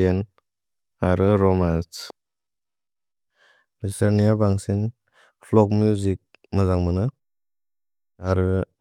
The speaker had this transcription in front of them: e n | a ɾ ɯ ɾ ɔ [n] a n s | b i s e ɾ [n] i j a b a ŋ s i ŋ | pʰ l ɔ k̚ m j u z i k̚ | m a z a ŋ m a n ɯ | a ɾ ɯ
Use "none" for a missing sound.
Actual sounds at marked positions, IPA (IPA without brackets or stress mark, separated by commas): m, n